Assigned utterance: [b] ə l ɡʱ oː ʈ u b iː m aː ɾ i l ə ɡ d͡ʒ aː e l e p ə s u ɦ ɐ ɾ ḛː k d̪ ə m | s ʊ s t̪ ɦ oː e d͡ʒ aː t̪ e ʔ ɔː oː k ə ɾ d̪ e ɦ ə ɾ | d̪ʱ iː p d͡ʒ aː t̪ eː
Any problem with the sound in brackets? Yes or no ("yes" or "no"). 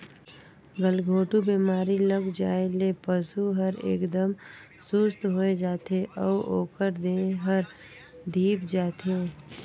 yes